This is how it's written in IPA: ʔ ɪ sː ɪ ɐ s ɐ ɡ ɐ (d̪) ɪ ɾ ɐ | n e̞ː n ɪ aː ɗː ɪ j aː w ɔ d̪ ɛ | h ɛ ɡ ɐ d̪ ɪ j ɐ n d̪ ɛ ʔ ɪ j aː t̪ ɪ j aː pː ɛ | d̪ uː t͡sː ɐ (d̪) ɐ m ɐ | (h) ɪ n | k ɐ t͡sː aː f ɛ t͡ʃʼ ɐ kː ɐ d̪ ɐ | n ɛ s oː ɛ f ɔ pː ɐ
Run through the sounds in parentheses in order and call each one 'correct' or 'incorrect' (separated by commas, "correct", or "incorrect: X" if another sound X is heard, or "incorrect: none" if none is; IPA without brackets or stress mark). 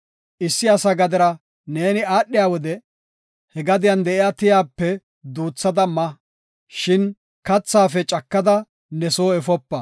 correct, correct, incorrect: ʃ